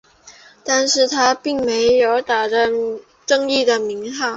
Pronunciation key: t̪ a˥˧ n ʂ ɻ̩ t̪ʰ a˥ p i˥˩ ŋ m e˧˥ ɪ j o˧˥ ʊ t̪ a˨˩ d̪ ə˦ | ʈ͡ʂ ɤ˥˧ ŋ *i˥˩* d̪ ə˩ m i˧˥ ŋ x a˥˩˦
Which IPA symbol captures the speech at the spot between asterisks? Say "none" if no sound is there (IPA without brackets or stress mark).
i˥˩